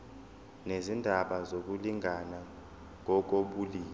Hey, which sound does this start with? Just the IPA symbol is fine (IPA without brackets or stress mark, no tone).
n